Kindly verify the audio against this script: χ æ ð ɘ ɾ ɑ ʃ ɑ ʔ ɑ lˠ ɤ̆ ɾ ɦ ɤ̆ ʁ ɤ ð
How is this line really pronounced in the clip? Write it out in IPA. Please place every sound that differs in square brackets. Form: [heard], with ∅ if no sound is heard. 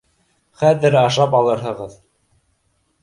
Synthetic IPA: χ æ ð ɘ ɾ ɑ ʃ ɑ [p] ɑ lˠ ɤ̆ ɾ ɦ ɤ̆ ʁ ɤ ð